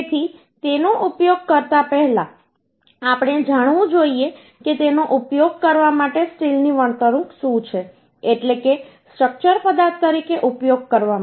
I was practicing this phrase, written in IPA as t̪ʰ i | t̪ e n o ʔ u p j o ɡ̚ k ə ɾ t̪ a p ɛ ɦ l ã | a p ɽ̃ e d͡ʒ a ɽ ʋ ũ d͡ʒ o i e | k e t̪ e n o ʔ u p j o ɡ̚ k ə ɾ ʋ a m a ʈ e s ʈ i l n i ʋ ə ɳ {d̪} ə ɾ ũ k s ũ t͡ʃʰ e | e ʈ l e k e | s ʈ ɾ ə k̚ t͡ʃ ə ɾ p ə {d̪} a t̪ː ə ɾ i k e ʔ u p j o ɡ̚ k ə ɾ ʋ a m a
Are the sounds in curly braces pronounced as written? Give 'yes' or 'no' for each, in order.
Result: no, yes

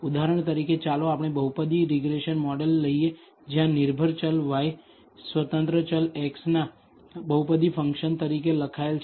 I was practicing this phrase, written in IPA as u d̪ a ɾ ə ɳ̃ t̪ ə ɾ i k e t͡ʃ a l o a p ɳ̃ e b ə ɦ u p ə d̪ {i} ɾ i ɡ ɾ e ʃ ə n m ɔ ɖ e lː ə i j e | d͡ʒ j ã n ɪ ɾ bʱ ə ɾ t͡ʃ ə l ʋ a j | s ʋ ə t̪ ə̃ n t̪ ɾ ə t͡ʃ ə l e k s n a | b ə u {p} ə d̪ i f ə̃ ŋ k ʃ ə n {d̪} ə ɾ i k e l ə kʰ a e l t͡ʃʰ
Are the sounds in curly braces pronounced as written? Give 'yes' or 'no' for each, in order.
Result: yes, yes, no

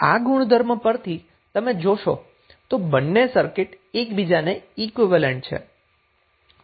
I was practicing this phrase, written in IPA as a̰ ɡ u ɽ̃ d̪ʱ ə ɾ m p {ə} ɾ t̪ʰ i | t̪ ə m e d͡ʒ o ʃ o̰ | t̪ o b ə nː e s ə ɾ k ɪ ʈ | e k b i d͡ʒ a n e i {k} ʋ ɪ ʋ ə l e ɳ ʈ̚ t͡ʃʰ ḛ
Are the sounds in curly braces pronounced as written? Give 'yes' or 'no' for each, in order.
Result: yes, yes

